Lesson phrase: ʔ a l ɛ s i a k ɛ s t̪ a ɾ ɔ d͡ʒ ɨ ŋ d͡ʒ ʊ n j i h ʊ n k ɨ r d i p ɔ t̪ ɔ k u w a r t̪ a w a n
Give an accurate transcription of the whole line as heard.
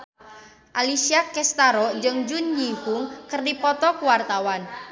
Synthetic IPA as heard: ʔ a l i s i a k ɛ s t̪ a ɾ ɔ d͡ʒ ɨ ŋ d͡ʒ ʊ n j i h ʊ ŋ k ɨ r d i p ɔ t̪ ɔ k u w a r t̪ a w a n